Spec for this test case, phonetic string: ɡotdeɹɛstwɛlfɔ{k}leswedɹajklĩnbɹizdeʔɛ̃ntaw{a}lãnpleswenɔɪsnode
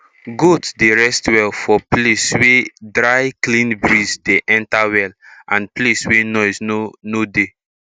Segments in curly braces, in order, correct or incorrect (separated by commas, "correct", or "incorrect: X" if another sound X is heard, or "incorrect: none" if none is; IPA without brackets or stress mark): incorrect: p, incorrect: ɛ